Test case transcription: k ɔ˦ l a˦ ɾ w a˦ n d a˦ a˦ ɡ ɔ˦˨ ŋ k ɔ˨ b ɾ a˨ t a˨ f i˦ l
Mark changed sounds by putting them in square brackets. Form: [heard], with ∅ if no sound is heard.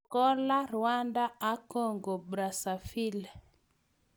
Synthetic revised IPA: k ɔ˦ l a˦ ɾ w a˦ n d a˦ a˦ [k] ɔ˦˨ ŋ [ɡ] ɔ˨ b ɾ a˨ [s] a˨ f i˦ l